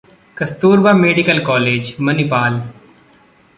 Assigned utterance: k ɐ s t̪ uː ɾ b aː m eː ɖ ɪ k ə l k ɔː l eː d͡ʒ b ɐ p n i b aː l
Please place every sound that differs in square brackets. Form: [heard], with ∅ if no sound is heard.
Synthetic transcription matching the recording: k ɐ s t̪ uː ɾ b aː m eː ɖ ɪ k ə l k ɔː l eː d͡ʒ [m] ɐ [∅] n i [p] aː l